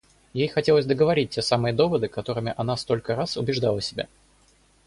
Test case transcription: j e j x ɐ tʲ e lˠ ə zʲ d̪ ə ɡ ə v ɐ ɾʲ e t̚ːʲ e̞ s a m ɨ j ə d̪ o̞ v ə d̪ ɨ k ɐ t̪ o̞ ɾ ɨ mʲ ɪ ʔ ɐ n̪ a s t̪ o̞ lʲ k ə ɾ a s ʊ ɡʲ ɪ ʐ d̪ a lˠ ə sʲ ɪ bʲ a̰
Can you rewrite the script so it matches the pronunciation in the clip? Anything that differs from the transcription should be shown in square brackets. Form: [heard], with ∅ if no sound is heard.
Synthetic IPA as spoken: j e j x ɐ tʲ e lˠ ə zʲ d̪ ə ɡ ə v ɐ ɾʲ [i] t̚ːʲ e̞ s a m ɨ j ə d̪ o̞ v ə d̪ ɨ k ɐ t̪ o̞ ɾ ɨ mʲ ɪ ʔ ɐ n̪ a s t̪ o̞ lʲ k ə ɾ a s ʊ [bʲ] ɪ ʐ d̪ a lˠ ə sʲ ɪ bʲ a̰